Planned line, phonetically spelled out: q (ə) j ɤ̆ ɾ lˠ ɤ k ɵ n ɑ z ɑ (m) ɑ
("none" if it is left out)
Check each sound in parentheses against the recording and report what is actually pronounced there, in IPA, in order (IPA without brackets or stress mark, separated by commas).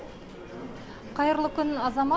ɑ, m